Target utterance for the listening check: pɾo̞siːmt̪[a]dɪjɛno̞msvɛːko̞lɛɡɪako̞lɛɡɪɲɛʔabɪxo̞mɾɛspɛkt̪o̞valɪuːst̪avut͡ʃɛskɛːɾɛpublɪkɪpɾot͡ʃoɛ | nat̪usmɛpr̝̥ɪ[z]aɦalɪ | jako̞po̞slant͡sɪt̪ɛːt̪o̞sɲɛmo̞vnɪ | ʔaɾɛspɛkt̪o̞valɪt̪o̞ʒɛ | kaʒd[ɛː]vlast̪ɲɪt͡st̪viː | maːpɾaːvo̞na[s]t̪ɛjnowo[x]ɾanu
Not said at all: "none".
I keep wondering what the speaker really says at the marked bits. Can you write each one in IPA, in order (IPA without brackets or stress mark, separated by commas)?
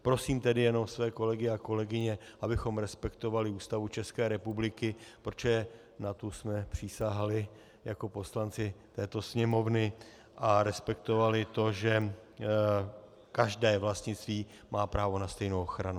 ɛ, s, ɛː, s, x